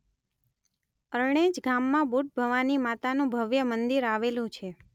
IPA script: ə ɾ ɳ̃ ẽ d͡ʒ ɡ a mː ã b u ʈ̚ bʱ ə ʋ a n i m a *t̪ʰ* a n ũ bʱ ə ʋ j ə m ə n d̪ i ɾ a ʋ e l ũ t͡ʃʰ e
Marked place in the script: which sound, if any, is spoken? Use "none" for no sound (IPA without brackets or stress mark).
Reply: t̪